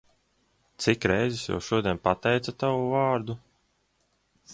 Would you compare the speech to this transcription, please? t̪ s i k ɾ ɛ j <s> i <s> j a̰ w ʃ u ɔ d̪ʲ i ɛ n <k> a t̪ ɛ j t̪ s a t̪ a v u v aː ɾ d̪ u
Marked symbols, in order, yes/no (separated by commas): no, yes, no